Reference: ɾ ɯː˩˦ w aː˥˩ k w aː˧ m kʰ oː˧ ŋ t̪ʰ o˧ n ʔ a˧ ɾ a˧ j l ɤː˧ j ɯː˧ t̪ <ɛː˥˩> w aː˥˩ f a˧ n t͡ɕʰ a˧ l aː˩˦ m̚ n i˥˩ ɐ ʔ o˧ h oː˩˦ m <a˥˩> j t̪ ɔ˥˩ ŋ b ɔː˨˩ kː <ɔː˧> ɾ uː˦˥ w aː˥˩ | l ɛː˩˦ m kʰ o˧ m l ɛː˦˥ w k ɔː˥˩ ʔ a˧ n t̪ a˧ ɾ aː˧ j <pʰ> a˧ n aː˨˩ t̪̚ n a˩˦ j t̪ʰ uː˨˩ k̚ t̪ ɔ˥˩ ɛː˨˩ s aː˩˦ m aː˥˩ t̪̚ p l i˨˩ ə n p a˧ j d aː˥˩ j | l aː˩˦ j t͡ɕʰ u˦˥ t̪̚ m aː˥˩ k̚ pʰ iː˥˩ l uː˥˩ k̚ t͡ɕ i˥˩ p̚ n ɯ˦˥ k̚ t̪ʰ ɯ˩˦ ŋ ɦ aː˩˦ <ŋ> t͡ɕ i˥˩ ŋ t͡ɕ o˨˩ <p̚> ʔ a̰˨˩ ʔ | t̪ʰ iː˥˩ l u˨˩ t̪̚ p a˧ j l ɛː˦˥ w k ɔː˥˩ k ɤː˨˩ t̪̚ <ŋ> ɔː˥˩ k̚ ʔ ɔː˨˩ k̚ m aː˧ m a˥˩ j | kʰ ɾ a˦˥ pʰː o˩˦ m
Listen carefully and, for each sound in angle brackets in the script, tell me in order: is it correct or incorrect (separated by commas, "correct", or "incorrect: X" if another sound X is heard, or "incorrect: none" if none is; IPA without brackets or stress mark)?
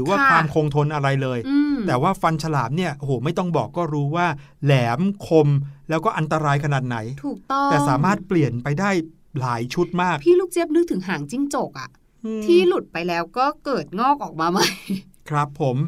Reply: incorrect: ɛː˨˩, correct, incorrect: ɔː˥˩, incorrect: kʰ, correct, incorrect: k̚, correct